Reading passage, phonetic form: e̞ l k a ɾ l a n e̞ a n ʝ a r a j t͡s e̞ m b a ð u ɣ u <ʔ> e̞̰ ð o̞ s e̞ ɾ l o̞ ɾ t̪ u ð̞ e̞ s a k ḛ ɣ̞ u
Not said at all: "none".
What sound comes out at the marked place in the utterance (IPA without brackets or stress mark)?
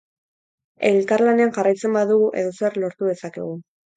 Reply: ʔ